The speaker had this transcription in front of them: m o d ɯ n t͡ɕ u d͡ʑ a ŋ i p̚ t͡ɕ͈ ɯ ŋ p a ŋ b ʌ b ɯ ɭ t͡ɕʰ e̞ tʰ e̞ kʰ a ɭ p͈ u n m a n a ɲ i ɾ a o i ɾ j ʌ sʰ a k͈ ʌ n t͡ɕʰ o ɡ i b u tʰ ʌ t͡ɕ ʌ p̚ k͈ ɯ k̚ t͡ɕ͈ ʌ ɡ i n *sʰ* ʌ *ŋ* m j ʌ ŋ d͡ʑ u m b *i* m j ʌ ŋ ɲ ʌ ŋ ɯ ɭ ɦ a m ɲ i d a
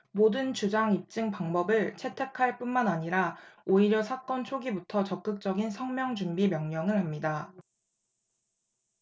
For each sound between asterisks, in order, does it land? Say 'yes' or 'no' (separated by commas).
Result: yes, yes, yes